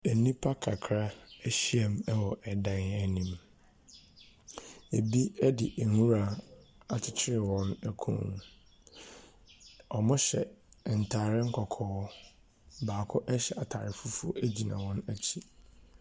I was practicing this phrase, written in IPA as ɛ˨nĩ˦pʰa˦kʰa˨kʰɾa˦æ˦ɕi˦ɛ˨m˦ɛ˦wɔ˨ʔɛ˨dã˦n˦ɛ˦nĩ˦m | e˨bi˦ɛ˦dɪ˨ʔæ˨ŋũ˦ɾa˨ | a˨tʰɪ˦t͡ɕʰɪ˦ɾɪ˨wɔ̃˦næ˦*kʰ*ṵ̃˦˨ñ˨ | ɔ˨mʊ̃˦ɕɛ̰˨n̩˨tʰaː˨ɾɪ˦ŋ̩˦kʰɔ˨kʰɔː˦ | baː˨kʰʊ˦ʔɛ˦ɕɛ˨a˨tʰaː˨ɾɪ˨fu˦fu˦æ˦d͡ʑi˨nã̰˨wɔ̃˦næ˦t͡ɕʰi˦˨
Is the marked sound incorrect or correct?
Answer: correct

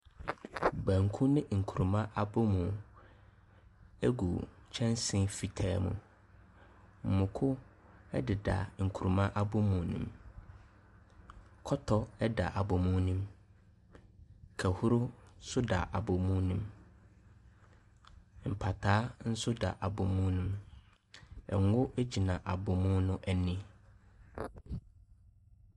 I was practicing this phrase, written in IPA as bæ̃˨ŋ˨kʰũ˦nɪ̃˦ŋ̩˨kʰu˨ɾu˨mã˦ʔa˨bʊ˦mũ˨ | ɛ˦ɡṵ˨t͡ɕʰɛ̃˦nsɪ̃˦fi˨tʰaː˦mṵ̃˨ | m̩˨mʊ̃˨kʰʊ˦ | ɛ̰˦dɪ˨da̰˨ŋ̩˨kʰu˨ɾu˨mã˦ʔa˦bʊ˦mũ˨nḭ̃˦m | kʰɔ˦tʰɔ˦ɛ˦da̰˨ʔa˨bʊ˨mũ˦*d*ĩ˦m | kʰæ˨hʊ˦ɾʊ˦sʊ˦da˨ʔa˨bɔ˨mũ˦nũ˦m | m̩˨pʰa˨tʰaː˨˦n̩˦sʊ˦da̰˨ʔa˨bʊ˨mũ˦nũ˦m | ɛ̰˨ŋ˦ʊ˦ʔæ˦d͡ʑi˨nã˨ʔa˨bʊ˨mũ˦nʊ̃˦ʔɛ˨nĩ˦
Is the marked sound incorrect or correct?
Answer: incorrect: n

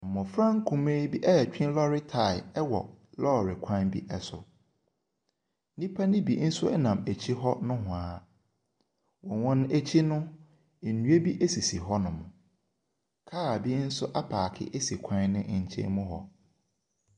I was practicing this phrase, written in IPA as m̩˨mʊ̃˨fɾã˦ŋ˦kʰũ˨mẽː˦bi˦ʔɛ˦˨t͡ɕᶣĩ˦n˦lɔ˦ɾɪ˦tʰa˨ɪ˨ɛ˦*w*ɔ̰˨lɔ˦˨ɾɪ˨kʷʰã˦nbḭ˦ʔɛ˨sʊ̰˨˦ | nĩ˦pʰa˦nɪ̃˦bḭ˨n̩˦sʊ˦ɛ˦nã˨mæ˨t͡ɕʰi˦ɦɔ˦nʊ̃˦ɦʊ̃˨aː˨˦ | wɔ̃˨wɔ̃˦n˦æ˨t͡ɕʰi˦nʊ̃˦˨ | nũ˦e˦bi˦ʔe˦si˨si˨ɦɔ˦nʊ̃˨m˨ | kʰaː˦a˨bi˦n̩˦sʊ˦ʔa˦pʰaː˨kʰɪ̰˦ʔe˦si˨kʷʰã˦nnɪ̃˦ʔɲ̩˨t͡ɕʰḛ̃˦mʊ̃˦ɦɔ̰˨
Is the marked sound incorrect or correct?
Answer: correct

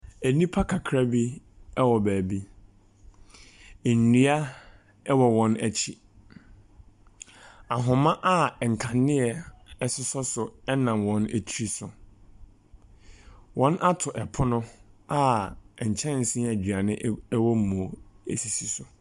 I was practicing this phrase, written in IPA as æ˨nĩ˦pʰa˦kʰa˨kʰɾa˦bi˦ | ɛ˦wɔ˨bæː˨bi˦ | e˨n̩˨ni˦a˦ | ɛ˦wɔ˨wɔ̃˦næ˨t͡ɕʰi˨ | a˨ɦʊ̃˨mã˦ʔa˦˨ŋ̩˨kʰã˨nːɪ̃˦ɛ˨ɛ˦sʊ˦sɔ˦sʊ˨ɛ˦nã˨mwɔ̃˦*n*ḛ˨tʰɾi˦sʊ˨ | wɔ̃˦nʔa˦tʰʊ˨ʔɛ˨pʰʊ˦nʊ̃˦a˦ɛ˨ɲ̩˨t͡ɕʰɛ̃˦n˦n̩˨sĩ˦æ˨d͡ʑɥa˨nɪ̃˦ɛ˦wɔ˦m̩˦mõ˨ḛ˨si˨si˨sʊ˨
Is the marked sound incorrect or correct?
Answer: correct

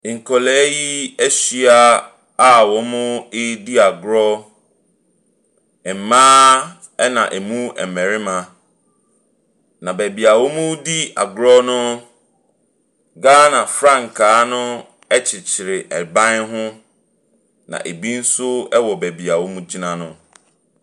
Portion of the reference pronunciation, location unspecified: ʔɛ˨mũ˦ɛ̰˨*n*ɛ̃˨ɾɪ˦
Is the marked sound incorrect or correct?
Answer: incorrect: m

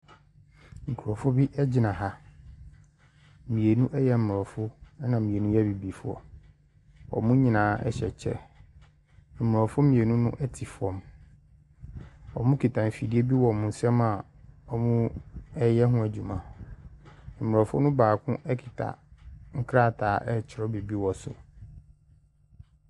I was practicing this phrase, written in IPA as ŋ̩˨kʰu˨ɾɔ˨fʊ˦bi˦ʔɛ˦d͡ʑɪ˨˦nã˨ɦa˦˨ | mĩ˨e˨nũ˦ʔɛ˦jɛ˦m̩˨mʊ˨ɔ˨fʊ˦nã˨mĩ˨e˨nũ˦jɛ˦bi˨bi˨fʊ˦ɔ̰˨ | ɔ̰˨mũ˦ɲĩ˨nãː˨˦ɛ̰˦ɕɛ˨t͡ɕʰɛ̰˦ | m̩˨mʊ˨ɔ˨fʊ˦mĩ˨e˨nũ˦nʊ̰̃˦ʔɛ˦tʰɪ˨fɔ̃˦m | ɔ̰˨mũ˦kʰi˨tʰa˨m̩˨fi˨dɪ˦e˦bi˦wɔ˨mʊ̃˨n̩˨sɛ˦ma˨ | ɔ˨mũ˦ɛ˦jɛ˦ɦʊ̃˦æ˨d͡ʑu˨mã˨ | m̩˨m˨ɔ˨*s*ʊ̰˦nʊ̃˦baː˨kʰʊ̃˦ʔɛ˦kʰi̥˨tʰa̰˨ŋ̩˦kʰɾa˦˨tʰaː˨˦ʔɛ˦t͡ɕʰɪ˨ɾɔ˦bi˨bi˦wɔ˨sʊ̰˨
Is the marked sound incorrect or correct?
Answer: incorrect: f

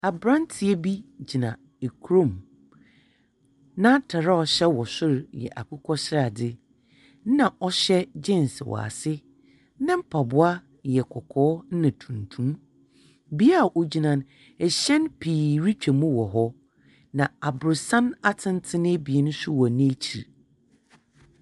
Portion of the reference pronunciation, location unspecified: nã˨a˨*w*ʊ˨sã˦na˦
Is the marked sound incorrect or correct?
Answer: incorrect: b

